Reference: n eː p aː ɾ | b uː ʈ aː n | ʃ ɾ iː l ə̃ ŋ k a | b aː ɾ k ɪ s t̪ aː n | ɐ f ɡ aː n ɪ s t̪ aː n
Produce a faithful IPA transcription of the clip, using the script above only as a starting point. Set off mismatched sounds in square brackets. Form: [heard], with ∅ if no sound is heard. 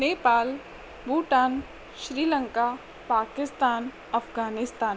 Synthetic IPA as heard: n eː p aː [l] | b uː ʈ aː n | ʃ ɾ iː l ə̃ ŋ k a | [p] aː [∅] k ɪ s t̪ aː n | ɐ f ɡ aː n ɪ s t̪ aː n

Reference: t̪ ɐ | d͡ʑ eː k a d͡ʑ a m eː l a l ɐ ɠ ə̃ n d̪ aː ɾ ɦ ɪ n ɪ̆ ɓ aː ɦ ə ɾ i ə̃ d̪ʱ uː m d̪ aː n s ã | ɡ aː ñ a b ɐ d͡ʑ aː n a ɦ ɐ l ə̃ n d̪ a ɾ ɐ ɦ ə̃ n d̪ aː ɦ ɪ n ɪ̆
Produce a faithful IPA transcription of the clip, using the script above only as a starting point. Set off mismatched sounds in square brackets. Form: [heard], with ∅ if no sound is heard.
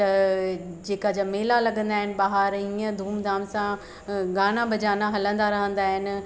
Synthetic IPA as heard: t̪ ɐ | d͡ʑ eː k a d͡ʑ a m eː l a l ɐ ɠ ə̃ n d̪ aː [∅] ɦ ɪ n ɪ̆ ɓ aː ɦ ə ɾ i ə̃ d̪ʱ uː m d̪ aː [m] s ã | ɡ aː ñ a b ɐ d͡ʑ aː n a ɦ ɐ l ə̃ n d̪ a ɾ ɐ ɦ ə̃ n d̪ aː ɦ ɪ n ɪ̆

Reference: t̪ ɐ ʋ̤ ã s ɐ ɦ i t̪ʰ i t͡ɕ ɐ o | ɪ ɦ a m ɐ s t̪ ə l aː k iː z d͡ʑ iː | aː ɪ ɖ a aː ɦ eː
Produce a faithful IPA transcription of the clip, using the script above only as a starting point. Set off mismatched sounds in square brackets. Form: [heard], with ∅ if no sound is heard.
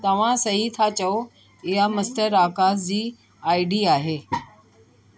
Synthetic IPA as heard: t̪ ɐ ʋ̤ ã s ɐ ɦ i t̪ʰ [a] t͡ɕ ɐ o | ɪ ɦ a m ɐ s t̪ ə [ɾ] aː k [aː] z d͡ʑ iː | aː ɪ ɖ [i] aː ɦ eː

